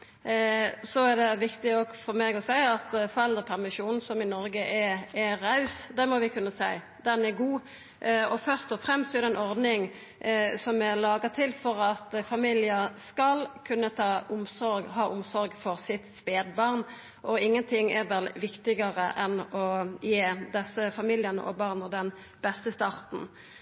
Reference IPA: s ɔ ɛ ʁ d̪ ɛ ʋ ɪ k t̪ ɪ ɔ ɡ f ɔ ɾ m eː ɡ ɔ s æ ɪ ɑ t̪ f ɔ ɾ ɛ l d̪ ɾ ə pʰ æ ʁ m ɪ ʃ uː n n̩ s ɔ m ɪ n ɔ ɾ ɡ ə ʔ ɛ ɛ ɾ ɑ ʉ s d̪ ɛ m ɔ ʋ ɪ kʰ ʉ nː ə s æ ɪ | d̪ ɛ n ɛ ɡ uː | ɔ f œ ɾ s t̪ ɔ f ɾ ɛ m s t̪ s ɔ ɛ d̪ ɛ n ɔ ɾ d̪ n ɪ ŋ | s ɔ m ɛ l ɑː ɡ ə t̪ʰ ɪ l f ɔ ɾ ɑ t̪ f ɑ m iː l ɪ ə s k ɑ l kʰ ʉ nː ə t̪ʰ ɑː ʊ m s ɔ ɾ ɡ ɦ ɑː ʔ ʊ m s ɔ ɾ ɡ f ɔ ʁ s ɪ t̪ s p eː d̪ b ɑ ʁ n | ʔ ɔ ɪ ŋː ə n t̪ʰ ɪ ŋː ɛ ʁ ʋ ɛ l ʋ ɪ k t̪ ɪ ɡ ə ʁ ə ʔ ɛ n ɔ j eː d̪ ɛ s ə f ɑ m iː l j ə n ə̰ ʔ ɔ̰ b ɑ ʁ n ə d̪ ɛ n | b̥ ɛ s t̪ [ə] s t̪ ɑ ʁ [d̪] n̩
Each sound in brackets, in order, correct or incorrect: correct, incorrect: t̪

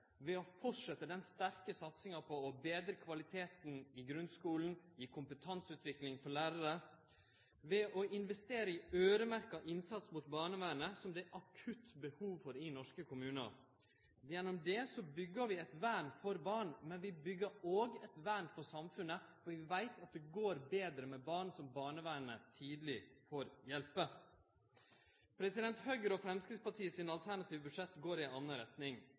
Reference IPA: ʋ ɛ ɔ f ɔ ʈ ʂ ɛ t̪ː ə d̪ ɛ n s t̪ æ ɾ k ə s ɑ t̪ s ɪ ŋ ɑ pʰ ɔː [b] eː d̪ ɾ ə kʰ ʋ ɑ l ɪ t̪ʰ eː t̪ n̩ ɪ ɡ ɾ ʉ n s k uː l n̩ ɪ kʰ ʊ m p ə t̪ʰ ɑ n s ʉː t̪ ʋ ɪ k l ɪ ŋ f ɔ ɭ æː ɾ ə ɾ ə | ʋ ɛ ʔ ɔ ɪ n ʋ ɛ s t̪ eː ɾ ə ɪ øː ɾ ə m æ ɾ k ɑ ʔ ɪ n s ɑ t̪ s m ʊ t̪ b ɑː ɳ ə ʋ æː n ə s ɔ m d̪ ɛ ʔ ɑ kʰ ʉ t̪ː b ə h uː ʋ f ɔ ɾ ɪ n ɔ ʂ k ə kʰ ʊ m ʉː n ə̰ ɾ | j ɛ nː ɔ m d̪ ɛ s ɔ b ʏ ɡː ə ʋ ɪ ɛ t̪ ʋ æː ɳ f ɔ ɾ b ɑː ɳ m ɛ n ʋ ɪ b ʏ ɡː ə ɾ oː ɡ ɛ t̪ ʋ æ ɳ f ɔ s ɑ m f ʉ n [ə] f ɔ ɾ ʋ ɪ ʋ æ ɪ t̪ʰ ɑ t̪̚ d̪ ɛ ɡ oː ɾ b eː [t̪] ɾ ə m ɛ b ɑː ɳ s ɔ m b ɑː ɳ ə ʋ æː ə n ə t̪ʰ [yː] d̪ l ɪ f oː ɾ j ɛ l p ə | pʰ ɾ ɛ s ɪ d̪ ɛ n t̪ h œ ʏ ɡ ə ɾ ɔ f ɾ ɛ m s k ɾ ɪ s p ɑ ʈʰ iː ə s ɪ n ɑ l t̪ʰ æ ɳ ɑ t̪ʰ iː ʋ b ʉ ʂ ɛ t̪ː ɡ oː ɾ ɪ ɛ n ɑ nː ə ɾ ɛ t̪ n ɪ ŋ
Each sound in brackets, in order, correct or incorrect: correct, correct, incorrect: d̪, incorrect: iː

